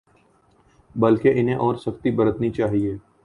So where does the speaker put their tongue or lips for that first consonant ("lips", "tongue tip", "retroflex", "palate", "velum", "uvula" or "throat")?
lips